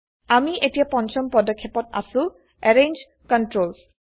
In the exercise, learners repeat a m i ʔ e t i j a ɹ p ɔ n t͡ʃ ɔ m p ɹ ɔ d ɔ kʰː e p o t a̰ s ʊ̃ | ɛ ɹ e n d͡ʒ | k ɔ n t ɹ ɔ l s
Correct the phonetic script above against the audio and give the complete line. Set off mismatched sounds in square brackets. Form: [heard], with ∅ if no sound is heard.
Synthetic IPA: a m i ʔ e t i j a [∅] p ɔ n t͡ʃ ɔ m p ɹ ɔ d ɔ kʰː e p [ɔ] t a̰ s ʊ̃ | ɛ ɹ e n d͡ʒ | k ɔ n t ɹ [o] l s